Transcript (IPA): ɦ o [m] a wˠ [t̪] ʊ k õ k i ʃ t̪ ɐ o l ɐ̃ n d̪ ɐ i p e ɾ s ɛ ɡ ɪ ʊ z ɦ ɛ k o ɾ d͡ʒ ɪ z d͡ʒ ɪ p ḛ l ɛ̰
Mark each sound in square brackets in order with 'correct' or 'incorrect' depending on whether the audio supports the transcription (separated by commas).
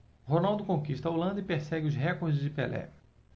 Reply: incorrect, incorrect